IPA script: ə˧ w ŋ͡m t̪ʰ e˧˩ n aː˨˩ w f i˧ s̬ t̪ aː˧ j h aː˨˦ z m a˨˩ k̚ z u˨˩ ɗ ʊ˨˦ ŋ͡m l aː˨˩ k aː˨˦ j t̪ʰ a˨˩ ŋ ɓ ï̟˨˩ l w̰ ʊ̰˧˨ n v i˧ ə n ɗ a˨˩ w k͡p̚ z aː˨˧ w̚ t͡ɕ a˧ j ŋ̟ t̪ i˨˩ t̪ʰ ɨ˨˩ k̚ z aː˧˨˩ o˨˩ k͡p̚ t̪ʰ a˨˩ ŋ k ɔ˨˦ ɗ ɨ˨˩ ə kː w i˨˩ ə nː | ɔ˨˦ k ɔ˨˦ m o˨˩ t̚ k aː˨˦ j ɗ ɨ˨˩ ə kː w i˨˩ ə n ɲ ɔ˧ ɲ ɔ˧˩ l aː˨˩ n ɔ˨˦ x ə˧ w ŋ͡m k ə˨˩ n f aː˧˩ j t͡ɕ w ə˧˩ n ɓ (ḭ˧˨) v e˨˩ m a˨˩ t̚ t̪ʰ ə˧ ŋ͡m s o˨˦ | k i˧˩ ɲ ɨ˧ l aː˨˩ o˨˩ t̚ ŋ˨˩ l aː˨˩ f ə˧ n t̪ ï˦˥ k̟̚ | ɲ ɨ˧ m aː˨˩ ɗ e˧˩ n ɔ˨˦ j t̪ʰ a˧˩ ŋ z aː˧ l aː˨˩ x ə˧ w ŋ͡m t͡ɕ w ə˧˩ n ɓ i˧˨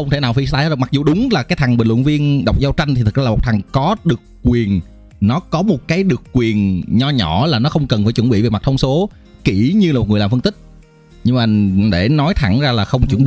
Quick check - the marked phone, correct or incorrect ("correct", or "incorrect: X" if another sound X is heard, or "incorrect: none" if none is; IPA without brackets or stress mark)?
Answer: correct